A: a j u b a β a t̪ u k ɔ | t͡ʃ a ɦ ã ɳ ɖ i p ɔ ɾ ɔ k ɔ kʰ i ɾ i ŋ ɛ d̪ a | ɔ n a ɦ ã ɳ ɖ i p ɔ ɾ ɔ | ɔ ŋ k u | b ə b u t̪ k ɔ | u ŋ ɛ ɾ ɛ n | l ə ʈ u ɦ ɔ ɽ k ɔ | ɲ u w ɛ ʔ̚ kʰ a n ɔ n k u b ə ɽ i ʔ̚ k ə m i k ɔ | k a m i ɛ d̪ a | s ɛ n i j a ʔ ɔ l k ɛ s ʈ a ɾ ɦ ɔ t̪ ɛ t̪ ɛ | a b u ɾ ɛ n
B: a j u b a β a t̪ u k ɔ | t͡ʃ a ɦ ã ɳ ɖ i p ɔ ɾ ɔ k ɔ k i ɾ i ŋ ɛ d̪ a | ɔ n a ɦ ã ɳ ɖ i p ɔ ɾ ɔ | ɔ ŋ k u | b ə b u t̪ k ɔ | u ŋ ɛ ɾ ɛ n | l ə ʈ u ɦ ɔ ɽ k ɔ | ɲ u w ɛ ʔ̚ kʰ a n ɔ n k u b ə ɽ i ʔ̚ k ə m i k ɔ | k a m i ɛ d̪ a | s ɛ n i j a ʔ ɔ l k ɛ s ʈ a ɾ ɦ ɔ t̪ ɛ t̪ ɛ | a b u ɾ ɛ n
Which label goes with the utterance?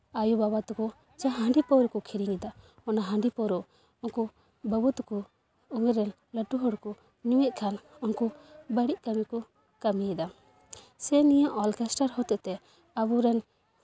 A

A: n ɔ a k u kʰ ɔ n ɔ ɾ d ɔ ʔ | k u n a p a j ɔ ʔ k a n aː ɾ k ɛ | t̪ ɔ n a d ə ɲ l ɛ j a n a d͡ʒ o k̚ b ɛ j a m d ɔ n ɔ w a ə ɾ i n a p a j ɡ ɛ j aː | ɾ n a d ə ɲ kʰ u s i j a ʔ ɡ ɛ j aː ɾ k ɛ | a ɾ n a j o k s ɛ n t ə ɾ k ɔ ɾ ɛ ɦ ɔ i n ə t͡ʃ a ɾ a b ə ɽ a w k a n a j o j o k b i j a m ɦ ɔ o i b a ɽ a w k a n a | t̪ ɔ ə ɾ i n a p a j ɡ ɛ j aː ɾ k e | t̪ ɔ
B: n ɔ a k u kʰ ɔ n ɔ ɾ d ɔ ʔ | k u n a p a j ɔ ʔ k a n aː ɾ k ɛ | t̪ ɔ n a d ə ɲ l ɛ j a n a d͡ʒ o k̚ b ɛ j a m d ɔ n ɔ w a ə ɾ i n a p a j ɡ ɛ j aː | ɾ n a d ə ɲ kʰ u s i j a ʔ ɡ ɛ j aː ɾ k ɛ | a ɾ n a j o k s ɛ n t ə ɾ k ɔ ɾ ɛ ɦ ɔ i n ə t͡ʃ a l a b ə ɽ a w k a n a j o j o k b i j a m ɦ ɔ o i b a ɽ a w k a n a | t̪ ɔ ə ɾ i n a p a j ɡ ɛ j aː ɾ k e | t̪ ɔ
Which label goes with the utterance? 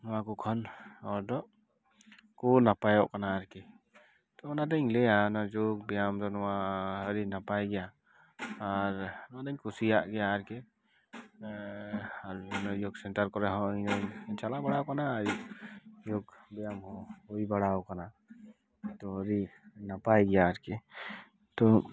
B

